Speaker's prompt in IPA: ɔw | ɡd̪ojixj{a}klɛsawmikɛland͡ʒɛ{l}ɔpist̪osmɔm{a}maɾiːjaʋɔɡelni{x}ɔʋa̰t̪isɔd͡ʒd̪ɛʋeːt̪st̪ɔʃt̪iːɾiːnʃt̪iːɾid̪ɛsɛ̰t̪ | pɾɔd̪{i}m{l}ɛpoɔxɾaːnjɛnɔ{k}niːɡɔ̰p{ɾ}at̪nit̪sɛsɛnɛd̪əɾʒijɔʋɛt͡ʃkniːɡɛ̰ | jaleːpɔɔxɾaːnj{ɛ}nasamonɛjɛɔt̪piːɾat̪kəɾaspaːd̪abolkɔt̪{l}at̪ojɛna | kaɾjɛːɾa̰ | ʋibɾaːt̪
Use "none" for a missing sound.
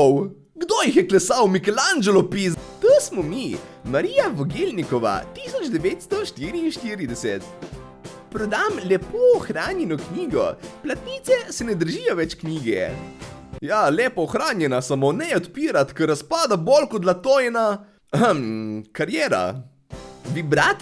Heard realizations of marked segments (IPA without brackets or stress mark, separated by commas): ɛ, l, i, k, a, l, k, l, ɛ, l